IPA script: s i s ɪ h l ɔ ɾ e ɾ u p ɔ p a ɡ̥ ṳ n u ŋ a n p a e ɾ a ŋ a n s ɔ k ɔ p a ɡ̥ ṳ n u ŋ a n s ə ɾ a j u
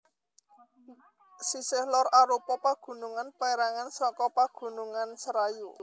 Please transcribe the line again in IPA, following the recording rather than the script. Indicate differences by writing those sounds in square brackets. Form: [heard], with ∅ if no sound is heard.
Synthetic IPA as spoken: s i s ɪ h l ɔ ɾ [a] ɾ u p ɔ p a ɡ̥ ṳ n u ŋ a n p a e ɾ a ŋ a n s ɔ k ɔ p a ɡ̥ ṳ n u ŋ a n s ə ɾ a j u